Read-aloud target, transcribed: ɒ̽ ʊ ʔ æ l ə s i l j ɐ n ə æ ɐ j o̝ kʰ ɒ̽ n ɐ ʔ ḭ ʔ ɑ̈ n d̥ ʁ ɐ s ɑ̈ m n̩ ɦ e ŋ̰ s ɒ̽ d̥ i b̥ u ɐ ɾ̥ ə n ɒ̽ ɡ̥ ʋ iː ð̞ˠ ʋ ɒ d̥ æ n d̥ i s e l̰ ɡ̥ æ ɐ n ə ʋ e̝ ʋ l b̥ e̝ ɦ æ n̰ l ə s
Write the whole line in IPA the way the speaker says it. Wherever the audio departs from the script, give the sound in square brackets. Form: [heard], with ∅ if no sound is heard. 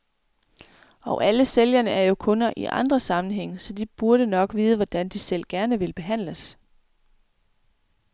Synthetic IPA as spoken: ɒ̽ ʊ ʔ æ l ə s [e] l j ɐ n ə æ ɐ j o̝ kʰ [ɔ̽] n ɐ ʔ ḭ ʔ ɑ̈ n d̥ ʁ ɐ s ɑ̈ m n̩ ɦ e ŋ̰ s ɒ̽ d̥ i b̥ u ɐ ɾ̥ ə n ɒ̽ ɡ̥ ʋ iː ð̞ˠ ʋ ɒ d̥ æ n d̥ i s e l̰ ɡ̥ æ ɐ n ə ʋ e̝ [∅] l b̥ e̝ ɦ æ n̰ l ə s